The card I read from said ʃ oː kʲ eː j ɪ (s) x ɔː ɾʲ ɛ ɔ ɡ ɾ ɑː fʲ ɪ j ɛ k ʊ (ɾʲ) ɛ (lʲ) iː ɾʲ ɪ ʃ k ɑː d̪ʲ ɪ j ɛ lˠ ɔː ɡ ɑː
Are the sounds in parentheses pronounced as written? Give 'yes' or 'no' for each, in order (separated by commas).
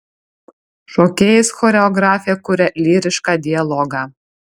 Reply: yes, yes, yes